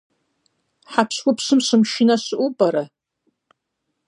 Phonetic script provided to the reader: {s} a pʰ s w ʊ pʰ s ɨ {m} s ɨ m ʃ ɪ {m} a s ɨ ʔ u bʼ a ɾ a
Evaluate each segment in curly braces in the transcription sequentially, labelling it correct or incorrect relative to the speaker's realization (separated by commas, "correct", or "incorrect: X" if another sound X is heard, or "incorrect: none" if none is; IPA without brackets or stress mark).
incorrect: ħ, correct, incorrect: n